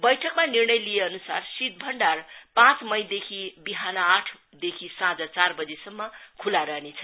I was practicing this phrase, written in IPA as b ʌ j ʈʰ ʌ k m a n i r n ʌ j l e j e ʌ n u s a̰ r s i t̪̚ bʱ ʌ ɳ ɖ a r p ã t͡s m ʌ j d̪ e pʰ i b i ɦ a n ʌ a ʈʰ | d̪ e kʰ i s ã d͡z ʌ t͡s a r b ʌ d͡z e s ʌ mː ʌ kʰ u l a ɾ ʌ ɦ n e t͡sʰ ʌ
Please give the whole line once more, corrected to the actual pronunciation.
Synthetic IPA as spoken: b ʌ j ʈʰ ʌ k m a n i r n ʌ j l i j e ʌ n u s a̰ r s i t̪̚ bʱ ʌ ɳ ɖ a r p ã t͡s m ʌ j d̪ e kʰ i b i ɦ a n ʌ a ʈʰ | d̪ e kʰ i s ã d͡z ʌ t͡s a r b ʌ d͡z e s ʌ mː ʌ kʰ u l a ɾ ʌ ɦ n e t͡sʰ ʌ

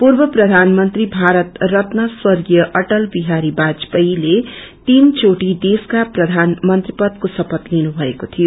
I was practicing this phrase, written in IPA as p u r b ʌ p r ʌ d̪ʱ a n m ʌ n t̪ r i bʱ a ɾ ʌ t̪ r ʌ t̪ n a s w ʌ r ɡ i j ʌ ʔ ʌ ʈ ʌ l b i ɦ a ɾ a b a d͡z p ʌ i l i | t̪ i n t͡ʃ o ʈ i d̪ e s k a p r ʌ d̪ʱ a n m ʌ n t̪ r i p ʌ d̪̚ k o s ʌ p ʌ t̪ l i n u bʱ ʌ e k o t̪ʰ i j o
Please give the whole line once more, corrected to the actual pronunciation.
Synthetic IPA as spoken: p u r b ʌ p r ʌ d̪ʱ a n m ʌ n t̪ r i bʱ a ɾ ʌ t̪ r ʌ t̪ n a s w ʌ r ɡ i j ʌ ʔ ʌ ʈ ʌ l b i ɦ a ɾ i b a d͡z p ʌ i l e | t̪ i n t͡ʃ o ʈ i d̪ e s k a p r ʌ d̪ʱ a n m ʌ n t̪ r i p ʌ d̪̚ k o s ʌ p ʌ t̪ l i n u bʱ ʌ e k o t̪ʰ i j o

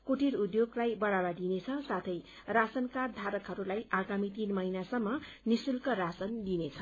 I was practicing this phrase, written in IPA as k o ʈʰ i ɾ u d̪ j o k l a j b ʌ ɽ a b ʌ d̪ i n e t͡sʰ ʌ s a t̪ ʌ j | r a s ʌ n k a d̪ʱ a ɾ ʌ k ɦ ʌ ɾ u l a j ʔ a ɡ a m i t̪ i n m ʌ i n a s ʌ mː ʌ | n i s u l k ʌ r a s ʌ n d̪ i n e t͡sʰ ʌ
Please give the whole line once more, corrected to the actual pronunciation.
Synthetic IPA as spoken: k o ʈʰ i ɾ u d̪ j o ɡ l a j b ʌ ɽ a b a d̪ i n e t͡sʰ ʌ s a t̪ʰ ʌ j | r a s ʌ n k a d̪ʱ a ɾ ʌ k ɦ ʌ ɾ u l a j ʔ a ɡ a m i t̪ i n m ʌ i n a s ʌ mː ʌ | n i s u l k ʌ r a s ʌ n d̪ i n e t͡sʰ ʌ

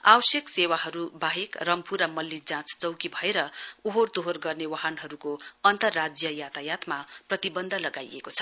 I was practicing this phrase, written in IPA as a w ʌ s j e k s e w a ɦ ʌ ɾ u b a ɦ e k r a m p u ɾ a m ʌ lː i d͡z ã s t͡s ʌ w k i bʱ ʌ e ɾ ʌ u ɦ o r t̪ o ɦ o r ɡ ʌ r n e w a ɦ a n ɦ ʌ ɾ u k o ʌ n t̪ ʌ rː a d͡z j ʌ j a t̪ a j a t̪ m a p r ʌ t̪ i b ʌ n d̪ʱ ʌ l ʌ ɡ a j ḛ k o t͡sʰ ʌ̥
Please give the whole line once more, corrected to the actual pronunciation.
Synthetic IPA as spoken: a w ʌ s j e k s e w a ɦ ʌ ɾ u b a ɦ e k r ʌ m p u ɾ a m ʌ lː i d͡z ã t͡s t͡s ʌ w k i bʱ ʌ e ɾ ʌ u ɦ o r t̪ o ɦ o r ɡ ʌ r n e w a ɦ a n ɦ ʌ ɾ u k o ʌ n t̪ ʌ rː a d͡z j ʌ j a t̪ a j a t̪ m a p r ʌ t̪ i b ʌ n d̪ʱ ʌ l ʌ ɡ a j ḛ k o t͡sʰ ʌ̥

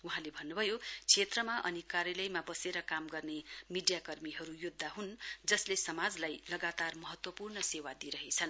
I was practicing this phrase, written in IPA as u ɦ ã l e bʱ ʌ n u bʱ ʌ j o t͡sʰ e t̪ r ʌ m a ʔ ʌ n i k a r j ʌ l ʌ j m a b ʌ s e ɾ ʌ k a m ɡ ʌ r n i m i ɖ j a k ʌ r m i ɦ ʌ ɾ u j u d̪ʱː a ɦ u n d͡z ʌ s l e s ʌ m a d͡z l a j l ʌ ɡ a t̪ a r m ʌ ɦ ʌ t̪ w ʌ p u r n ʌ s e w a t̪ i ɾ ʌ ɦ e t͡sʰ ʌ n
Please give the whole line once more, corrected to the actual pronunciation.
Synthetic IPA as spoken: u ɦ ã l e bʱ ʌ nː u bʱ ʌ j o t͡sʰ e t̪ r ʌ m a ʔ ʌ n i k a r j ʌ l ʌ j m a b ʌ s e ɾ ʌ k a m ɡ ʌ r n e m i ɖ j a k ʌ r m i ɦ ʌ ɾ u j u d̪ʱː a ɦ u n d͡z ʌ s l e s ʌ m a d͡z l a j l ʌ ɡ a t̪ a r m ʌ ɦ ʌ t̪ w ʌ p u r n ʌ s e w a d̪ i ɾ ʌ ɦ e t͡sʰ ʌ n

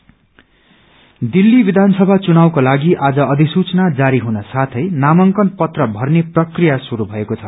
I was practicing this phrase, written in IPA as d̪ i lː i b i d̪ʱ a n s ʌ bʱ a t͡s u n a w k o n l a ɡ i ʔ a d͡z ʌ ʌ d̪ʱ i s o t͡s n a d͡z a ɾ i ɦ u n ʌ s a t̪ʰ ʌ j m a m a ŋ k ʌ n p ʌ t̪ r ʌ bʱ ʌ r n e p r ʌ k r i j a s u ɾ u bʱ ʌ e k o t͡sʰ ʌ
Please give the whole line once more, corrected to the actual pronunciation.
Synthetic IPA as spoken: d̪ i lː i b i d̪ʱ a n s ʌ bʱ a t͡s u n a w k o l a ɡ i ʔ a d͡z ʌ ʌ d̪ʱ i s u t͡s n a d͡z a ɾ i ɦ u n ʌ s a t̪ʰ ʌ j n a m ʌ ŋ k ʌ n p ʌ t̪ r ʌ bʱ ʌ r n e p r ʌ k r i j a s u ɾ u bʱ ʌ e k o t͡sʰ ʌ

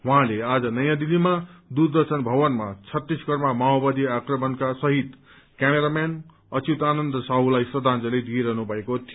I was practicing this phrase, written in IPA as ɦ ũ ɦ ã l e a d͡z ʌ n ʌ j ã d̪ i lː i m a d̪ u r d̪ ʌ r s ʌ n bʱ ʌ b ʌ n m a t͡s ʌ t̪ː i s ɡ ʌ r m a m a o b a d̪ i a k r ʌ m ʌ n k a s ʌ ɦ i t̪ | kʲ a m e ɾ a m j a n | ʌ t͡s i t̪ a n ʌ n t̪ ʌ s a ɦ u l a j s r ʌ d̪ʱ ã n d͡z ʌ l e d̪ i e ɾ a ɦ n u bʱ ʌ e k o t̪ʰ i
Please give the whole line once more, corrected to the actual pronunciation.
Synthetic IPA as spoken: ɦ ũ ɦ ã l e a d͡z ʌ n ʌ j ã d̪ i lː i m a d̪ u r d̪ ʌ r s ʌ n bʱ ʌ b ʌ n m a t͡sʰ ʌ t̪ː i s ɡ ʌ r m a m a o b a d̪ i a k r ʌ m ʌ n k a s ʌ ɦ i t̪ | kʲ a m e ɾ a m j a n | ʌ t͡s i t̪ a n ʌ n d̪ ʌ s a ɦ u l a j s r ʌ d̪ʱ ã n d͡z ʌ l e d̪ i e ɾ ʌ ɦ n u bʱ ʌ e k o t̪ʰ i

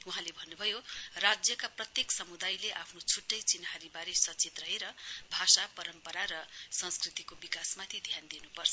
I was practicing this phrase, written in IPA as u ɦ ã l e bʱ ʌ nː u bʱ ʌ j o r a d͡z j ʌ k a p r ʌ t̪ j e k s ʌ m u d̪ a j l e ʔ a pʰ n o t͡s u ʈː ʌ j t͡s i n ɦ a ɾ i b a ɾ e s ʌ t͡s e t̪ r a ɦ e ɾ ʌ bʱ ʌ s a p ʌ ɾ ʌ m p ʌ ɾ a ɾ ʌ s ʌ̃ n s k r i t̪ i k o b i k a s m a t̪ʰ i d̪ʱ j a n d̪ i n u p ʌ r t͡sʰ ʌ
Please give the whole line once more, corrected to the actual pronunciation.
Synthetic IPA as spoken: u ɦ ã l e bʱ ʌ nː u bʱ ʌ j o r a d͡z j ʌ k a p r ʌ t̪ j e k s ʌ m u d̪ a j l e ʔ a pʰ n o t͡sʰ u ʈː ʌ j t͡s i n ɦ a ɾ i b a ɾ e s ʌ t͡s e t̪ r ʌ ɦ e ɾ ʌ bʱ a s a p ʌ ɾ ʌ m p ʌ ɾ a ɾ ʌ s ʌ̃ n s k r i t̪ i k o b i k a s m a t̪ʰ i d̪ʱ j a n d̪ i n u p ʌ r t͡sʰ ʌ

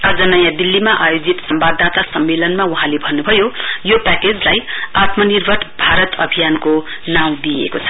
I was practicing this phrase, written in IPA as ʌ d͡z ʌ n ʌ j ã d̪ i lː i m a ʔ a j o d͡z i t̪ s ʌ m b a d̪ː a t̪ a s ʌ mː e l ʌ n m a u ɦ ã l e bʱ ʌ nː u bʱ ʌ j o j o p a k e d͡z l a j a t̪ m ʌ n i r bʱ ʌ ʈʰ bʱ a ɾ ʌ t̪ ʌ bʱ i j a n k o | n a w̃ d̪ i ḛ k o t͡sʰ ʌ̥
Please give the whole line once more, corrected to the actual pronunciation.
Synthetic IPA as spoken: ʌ d͡z ʌ n ʌ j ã d̪ i lː i m a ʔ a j o d͡z i t̪ s ʌ m b a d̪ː a t̪ a s ʌ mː e l ʌ n m a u ɦ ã l e bʱ ʌ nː u bʱ ʌ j o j o p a k e d͡z l a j a t̪ m ʌ n i r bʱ ʌ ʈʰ bʱ a ɾ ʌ t̪ ʌ bʱ i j a n k o | n a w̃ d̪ i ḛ k o t͡sʰ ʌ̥

